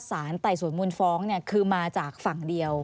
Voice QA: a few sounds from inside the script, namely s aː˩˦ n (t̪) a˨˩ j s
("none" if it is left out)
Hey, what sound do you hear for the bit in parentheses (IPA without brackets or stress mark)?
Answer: t̪